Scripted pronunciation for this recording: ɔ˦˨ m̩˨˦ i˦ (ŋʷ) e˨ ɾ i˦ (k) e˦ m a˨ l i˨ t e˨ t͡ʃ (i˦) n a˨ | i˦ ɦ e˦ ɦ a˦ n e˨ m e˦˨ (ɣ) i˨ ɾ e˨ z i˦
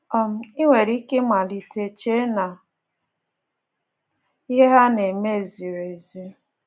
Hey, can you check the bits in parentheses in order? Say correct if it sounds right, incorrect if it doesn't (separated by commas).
correct, correct, incorrect, incorrect